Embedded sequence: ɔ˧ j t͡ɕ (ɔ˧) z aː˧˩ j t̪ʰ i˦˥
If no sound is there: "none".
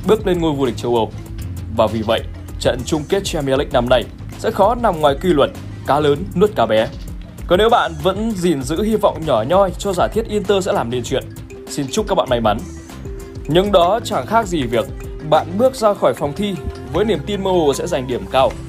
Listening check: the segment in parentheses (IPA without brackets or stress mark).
ɔ˧